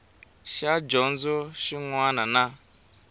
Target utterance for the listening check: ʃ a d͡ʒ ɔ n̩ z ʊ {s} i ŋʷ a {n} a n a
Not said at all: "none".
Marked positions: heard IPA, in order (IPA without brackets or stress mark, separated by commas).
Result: ʃ, n